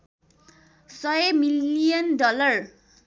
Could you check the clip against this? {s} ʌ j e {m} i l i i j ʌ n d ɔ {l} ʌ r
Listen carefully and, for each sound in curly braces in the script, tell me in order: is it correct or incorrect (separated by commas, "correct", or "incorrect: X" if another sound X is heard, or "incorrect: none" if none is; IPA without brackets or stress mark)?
correct, correct, correct